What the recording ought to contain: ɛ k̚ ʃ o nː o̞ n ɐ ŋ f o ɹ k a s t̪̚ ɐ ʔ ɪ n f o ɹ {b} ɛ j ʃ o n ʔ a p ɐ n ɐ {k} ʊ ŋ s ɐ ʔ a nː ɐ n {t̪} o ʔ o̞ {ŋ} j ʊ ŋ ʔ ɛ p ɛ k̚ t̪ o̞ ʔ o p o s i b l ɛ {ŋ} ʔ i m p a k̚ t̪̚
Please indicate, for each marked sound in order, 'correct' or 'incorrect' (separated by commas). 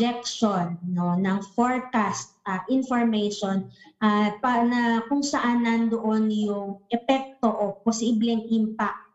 incorrect, correct, incorrect, incorrect, correct